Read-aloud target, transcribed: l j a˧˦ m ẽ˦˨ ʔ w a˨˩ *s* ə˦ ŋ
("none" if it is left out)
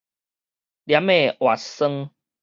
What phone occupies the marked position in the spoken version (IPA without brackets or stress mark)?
s